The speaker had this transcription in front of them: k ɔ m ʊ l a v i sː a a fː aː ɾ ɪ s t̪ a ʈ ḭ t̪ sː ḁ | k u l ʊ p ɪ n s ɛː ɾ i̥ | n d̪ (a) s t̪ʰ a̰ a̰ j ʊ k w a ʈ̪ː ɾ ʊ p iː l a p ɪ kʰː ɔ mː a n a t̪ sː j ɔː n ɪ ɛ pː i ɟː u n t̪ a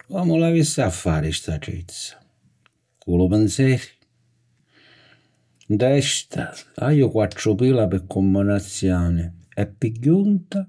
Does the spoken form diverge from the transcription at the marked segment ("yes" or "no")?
yes